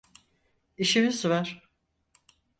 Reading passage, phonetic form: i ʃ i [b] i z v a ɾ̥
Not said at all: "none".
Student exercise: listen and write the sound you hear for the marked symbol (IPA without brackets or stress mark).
m